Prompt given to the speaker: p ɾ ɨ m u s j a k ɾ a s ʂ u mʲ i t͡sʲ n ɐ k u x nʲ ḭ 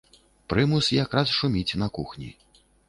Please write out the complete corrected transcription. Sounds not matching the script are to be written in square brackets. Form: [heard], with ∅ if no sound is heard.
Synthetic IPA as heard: p ɾ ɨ m u s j a k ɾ a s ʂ u mʲ i t͡sʲ n ɐ k u x nʲ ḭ